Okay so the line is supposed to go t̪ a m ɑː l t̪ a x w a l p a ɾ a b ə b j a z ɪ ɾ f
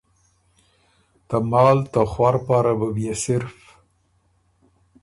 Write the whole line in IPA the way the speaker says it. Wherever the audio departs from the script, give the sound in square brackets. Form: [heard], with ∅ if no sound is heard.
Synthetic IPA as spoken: t̪ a m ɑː l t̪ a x w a [ɾ] p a ɾ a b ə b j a [s] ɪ ɾ f